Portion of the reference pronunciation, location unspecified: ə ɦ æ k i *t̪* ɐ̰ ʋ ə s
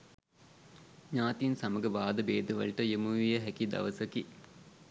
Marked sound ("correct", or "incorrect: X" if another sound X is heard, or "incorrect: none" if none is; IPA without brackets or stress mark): incorrect: d̪